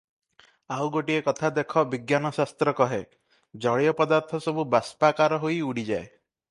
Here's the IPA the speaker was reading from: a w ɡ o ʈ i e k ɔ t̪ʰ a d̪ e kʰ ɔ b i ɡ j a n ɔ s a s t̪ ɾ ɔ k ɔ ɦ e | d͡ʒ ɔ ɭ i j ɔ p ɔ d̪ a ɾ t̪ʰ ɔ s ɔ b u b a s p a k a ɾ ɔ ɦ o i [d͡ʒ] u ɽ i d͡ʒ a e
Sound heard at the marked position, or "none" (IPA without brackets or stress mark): none